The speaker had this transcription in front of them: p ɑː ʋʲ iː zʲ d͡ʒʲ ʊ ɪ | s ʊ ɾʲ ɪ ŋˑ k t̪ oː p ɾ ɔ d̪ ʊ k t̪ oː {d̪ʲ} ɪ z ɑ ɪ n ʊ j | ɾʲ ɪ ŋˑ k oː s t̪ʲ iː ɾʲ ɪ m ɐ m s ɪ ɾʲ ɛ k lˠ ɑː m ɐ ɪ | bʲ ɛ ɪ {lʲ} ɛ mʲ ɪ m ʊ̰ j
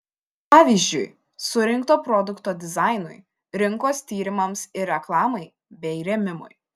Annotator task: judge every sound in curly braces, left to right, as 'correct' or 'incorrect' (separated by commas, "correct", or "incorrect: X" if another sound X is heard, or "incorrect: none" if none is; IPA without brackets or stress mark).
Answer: correct, incorrect: ɾʲ